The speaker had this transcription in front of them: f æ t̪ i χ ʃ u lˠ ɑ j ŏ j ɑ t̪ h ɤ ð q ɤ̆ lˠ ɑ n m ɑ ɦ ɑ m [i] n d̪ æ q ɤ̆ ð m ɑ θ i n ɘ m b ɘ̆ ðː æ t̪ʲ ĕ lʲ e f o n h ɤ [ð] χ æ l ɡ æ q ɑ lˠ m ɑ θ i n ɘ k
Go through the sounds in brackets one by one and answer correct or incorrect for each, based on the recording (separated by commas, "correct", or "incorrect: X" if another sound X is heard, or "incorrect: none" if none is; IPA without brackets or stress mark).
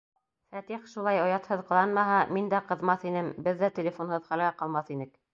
correct, correct